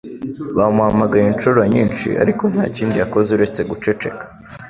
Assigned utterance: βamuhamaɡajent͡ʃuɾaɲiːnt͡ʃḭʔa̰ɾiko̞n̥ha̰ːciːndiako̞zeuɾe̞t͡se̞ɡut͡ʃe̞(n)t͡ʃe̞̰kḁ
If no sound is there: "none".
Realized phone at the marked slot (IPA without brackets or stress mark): none